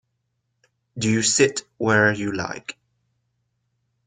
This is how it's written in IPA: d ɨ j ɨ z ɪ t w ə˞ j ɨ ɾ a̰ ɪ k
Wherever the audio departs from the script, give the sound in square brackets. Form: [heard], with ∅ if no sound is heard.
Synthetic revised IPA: d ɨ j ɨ [s] ɪ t w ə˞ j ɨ [l] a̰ ɪ k